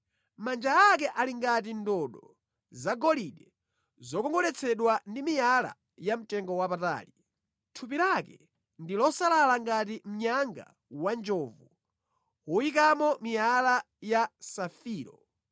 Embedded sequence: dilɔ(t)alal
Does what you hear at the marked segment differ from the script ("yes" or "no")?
yes